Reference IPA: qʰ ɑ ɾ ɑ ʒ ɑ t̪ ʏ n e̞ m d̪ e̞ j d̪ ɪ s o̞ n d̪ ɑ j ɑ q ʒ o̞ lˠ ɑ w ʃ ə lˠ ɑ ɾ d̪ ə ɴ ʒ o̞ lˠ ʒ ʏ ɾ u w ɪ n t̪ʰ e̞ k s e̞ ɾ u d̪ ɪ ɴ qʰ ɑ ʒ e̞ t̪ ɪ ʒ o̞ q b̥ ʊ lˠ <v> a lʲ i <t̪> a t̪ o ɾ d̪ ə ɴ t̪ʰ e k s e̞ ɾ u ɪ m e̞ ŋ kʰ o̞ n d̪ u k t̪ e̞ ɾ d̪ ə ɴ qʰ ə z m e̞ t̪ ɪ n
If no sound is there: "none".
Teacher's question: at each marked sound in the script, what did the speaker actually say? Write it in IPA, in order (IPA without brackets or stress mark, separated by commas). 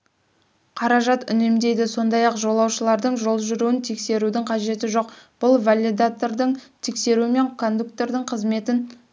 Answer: v, d̪